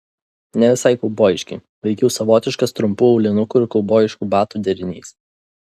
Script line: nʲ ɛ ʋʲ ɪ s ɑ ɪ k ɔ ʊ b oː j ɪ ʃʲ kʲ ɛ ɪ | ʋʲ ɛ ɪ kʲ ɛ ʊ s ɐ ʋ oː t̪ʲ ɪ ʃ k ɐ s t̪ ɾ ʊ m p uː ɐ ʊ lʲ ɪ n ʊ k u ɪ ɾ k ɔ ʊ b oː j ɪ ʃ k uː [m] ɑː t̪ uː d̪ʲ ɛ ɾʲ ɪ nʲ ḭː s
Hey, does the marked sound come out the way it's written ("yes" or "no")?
no